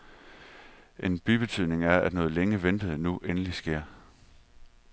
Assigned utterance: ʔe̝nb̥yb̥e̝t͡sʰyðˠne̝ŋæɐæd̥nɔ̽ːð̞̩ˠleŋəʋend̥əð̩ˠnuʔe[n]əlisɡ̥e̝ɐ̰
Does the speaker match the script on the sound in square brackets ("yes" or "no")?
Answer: yes